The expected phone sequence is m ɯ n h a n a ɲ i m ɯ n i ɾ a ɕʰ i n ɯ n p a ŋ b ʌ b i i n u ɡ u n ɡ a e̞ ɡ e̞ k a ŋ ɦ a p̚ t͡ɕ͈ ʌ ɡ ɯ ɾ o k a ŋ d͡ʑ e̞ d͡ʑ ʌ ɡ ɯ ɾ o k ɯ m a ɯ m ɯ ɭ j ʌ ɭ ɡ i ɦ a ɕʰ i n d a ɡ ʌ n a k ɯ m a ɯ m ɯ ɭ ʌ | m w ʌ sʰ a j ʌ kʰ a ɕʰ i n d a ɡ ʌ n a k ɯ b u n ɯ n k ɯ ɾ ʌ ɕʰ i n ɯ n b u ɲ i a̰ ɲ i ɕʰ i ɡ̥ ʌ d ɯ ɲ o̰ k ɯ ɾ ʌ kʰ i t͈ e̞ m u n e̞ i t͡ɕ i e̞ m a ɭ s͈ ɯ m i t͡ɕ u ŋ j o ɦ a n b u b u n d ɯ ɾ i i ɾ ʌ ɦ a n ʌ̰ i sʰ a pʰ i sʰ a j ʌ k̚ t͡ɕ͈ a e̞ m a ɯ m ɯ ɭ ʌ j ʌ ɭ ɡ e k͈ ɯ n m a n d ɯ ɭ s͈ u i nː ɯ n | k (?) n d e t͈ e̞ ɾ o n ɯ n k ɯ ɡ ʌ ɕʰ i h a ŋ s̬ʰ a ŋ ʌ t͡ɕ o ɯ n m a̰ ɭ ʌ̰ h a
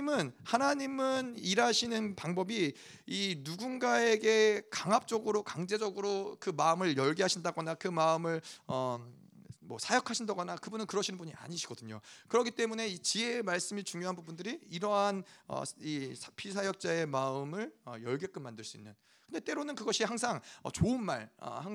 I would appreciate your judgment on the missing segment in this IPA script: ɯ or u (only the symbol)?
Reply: ɯ